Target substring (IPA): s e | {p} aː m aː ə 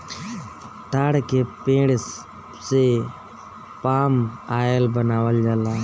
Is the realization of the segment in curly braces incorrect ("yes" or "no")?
no